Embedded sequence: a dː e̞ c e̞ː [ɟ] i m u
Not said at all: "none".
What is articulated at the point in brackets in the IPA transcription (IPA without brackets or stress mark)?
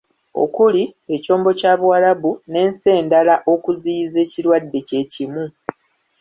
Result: c